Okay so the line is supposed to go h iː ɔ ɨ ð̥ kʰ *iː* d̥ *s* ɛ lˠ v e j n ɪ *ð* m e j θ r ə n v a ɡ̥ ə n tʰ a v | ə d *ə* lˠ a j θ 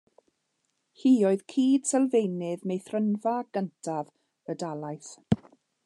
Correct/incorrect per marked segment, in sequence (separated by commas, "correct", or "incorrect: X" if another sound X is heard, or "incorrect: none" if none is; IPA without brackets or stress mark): correct, correct, correct, incorrect: a